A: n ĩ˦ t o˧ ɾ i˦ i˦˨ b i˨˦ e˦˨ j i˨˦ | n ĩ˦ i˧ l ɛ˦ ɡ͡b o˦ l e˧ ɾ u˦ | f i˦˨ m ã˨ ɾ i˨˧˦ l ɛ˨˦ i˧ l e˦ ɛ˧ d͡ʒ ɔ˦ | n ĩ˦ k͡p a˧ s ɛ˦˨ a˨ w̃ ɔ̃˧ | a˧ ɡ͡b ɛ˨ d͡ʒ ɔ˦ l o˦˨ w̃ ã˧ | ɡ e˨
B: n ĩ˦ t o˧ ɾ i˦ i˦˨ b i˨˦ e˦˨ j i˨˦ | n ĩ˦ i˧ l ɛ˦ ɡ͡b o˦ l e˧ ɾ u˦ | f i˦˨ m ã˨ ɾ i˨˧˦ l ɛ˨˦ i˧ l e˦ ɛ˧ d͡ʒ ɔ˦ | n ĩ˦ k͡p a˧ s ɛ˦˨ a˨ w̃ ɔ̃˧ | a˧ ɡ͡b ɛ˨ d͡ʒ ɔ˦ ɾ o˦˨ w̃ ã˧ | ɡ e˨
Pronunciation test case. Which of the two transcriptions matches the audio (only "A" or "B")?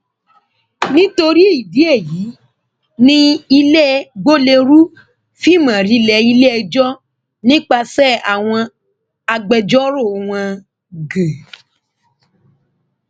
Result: B